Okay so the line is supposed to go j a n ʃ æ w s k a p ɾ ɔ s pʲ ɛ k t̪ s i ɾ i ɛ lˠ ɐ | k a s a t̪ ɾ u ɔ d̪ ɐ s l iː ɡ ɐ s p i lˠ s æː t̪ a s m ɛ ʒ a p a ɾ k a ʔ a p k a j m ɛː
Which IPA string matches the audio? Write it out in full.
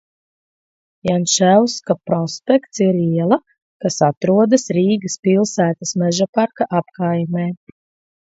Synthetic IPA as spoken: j a n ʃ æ w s k a p ɾ ɔ s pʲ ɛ k t̪ s i ɾ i ɛ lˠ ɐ | k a s a t̪ ɾ u ɔ d̪ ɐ s ɾ iː ɡ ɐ s p i lˠ s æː t̪ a s m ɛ ʒ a p a ɾ k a ʔ a p k a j m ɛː